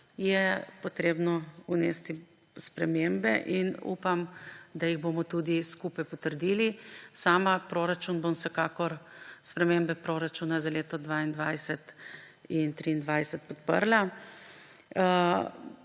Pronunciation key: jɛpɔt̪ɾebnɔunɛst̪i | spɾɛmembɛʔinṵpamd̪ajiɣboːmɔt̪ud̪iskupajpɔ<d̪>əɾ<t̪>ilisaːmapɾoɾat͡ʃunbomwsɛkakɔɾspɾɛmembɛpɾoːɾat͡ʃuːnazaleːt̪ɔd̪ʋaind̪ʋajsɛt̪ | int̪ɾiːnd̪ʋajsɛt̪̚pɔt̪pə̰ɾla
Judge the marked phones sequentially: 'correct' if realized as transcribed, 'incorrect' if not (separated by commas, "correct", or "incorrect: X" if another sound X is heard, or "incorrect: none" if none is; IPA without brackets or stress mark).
incorrect: t̪, incorrect: d̪